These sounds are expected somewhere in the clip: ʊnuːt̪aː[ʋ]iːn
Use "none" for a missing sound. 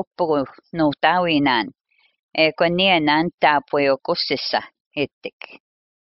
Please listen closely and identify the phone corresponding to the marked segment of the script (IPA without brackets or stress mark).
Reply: w